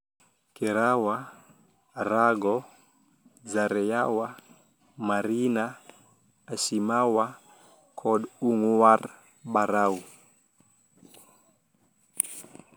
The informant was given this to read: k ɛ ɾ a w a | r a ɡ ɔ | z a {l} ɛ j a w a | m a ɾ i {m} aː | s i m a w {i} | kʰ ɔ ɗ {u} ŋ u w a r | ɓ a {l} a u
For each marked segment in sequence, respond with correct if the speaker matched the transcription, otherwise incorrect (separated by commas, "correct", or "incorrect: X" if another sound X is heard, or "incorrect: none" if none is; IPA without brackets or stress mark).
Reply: incorrect: ɾ, incorrect: n, incorrect: a, correct, incorrect: ɾ